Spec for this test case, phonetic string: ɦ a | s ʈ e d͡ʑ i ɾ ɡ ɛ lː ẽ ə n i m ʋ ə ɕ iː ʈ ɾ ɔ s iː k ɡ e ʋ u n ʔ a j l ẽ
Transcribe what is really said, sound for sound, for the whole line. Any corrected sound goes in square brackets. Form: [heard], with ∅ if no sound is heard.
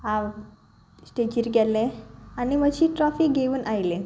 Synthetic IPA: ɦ a | s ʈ e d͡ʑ i ɾ ɡ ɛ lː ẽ [a] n i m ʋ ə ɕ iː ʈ ɾ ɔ [f] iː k ɡ e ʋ [uː] n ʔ a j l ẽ